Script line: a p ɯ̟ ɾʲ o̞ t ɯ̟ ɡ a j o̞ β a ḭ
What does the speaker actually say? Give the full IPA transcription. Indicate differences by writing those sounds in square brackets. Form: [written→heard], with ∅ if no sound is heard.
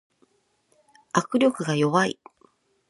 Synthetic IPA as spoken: a [p→k] ɯ̟ ɾʲ o̞ [t→k] ɯ̟ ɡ a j o̞ β a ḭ